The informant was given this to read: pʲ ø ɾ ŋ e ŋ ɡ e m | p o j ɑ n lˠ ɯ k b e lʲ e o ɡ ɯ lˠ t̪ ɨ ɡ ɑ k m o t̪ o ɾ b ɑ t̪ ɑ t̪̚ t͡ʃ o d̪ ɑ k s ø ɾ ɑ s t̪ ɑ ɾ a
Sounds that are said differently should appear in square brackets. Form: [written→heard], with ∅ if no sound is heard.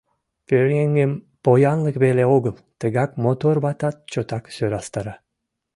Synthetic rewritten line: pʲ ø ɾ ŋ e ŋ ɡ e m | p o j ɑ n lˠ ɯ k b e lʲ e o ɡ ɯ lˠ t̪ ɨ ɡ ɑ k m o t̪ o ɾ b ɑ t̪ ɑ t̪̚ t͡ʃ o [d̪→t̪] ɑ k s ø ɾ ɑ s t̪ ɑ ɾ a